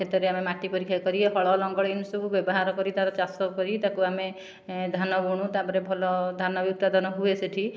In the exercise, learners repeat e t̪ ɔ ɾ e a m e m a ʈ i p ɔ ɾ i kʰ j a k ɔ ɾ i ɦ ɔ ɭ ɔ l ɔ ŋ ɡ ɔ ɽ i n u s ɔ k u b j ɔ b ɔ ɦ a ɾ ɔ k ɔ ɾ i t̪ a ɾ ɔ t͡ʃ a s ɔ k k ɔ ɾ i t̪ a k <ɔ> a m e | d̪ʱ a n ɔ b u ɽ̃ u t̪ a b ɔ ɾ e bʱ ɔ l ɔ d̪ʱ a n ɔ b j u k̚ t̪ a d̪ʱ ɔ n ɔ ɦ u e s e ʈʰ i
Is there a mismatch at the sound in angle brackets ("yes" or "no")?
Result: yes